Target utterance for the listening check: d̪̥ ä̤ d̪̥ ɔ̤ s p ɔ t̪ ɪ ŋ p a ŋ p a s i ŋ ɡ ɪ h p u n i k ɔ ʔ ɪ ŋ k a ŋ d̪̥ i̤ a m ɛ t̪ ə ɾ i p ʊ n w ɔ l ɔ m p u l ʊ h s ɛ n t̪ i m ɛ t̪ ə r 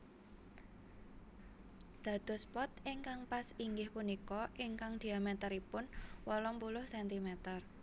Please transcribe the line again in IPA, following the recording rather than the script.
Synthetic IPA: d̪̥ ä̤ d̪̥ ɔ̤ s p ɔ t̪ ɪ ŋ k a ŋ p a s i ŋ ɡ ɪ h p u n i k ɔ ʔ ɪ ŋ k a ŋ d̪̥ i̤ a m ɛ t̪ ə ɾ i p ʊ n w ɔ l ɔ m p u l ʊ h s ɛ n t̪ i m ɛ t̪ ə r